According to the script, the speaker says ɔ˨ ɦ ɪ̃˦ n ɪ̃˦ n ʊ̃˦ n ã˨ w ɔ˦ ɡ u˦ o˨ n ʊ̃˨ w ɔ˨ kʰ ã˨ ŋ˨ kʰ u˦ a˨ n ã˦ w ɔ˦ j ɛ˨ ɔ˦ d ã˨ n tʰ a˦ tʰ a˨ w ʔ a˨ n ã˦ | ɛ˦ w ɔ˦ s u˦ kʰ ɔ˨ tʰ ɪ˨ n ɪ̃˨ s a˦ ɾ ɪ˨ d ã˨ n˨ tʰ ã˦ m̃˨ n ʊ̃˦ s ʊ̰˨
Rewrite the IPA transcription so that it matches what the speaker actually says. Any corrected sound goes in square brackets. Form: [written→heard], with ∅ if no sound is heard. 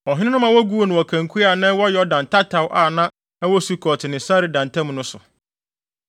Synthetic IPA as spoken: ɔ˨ ɦ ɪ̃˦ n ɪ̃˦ n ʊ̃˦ [n→m] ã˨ w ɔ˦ ɡ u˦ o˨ n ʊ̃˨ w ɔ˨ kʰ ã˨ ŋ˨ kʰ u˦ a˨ n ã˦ w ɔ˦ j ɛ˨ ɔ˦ d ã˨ n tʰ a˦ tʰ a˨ w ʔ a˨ n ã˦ | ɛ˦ w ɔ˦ s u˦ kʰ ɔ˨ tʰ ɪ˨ n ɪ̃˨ s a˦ ɾ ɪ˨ d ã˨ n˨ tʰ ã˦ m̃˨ n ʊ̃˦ s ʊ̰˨

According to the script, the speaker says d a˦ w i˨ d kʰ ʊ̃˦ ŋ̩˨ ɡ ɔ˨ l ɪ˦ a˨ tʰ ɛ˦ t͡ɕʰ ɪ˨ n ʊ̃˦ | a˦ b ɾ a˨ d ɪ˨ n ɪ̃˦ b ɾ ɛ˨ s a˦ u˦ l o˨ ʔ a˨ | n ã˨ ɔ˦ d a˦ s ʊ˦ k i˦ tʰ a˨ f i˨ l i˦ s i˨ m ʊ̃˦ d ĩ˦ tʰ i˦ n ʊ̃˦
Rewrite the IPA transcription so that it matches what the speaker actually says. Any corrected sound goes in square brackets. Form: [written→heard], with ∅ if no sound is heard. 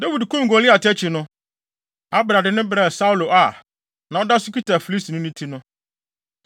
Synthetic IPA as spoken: d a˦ w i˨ d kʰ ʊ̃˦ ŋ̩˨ ɡ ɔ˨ l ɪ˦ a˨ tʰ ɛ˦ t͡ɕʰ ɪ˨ n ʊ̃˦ | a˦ b ɾ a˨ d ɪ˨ n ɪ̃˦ b ɾ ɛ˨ s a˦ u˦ l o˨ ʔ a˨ | n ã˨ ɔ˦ d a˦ s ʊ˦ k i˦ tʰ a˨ f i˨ l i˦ s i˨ [m→n] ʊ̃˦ [d→n] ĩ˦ tʰ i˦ n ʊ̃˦

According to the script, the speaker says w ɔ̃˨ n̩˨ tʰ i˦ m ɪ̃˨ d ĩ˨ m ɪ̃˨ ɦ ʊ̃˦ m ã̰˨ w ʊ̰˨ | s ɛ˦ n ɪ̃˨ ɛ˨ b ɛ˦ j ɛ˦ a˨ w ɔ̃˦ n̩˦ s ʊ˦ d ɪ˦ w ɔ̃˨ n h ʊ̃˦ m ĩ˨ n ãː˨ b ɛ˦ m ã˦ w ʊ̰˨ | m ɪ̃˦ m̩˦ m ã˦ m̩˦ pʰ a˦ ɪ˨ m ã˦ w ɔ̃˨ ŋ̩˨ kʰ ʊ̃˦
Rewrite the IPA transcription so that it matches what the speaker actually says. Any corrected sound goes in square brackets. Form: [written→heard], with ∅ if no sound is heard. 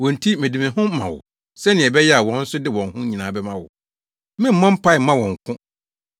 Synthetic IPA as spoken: w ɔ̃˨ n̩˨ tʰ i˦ m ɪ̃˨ d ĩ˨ m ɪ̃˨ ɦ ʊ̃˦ m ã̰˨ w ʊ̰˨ | s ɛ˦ n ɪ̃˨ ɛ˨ b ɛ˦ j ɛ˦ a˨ w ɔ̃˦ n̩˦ s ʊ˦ d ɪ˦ w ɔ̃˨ n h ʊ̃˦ [m→ɲ] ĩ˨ n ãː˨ b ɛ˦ m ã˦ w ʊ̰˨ | m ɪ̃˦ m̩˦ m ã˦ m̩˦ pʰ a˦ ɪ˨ m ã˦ w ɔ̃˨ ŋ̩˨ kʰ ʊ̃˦

